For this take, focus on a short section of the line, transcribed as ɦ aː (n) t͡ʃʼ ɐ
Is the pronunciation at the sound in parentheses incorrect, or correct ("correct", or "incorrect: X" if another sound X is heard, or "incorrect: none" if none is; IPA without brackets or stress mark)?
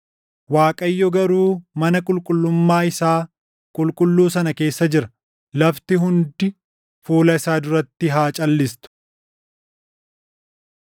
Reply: incorrect: none